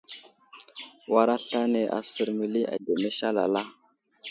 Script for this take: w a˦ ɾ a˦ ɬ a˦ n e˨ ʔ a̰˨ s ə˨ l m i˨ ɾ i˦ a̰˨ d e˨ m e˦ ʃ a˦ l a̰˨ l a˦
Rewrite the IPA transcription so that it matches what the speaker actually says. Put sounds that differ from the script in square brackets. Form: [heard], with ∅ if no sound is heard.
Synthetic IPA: w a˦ ɾ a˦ ɬ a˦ n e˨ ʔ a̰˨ s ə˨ [ɾ] m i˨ [l] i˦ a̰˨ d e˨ m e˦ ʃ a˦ l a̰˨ l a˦

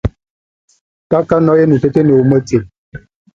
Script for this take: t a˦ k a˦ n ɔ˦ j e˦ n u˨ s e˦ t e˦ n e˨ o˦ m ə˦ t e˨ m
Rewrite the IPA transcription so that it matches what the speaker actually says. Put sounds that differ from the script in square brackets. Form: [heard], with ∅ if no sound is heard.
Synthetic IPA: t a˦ k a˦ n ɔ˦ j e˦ n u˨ [t] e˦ t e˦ n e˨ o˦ m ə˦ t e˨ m

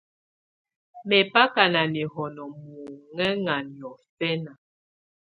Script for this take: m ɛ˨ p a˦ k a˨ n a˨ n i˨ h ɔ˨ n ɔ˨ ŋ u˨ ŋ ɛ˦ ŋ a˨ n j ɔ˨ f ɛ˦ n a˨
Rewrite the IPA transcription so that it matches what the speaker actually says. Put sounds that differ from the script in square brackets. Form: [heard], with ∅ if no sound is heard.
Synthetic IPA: m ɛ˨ p a˦ k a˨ n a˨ n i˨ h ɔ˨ n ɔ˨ [m] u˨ ŋ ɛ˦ ŋ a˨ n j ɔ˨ f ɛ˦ n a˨

